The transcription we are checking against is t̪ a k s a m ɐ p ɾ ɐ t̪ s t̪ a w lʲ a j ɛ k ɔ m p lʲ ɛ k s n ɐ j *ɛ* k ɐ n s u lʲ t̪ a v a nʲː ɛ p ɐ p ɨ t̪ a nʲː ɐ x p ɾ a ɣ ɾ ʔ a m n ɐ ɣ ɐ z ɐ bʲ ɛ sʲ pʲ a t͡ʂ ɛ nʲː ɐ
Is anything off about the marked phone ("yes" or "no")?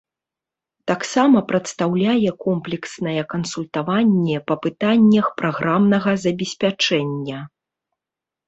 no